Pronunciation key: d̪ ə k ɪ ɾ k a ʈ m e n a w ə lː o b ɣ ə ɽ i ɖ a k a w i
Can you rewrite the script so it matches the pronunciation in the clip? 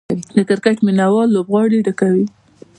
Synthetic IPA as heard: d̪ ə k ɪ ɾ k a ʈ m i n a w ɑ lː o b ɣ ɑ ɽ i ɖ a k a w i